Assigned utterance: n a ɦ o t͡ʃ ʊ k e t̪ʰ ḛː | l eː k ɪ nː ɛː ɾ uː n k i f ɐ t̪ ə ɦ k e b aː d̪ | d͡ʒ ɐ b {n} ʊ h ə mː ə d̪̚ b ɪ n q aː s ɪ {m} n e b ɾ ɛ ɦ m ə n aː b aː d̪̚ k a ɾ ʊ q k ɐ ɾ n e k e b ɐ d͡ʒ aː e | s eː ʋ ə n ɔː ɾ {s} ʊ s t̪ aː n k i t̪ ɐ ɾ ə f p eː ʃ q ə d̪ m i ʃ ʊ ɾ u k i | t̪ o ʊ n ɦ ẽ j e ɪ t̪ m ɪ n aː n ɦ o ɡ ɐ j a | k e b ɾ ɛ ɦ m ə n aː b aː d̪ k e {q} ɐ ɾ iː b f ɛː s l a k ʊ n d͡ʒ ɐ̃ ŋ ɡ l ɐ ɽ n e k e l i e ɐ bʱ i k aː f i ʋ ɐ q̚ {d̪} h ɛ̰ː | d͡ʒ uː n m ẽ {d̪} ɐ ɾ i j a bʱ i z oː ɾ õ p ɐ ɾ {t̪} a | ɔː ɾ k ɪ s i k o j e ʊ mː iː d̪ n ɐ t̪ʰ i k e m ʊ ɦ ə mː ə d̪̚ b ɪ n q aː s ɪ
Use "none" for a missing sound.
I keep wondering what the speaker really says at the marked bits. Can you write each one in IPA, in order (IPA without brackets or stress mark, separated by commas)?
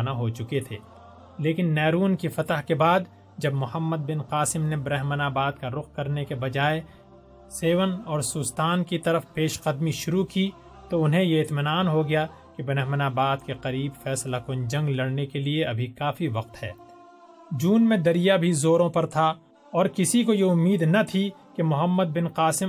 m, m, s, q, t̪, d̪, t̪ʰ